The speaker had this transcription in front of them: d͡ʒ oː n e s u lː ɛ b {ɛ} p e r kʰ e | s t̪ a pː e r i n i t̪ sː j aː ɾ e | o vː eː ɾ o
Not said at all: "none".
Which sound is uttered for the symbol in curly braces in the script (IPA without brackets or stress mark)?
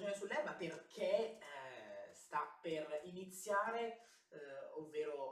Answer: a